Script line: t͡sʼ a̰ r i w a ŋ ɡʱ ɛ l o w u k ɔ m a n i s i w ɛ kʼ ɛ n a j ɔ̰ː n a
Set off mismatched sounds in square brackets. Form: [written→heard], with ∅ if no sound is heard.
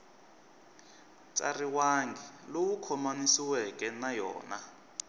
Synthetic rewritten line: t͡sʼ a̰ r i w a ŋ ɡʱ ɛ l o w u [k→kʰ] ɔ m a n i s i w ɛ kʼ ɛ n a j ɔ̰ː n a